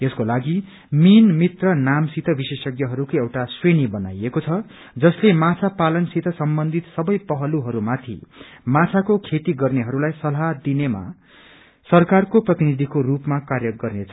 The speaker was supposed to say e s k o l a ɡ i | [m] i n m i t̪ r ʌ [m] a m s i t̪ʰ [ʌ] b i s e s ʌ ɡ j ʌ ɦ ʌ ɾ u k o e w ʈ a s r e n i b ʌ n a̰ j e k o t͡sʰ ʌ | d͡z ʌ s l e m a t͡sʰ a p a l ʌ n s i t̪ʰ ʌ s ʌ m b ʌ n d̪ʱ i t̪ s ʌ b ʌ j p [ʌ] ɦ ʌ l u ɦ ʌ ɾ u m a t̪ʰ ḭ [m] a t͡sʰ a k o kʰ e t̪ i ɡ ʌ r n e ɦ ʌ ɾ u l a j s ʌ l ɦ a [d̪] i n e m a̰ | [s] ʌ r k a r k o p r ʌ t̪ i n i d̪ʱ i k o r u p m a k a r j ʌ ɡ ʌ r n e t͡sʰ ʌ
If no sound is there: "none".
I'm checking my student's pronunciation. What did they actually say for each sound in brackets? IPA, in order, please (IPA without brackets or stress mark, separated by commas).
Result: m, n, ʌ, ʌ, m, d̪, s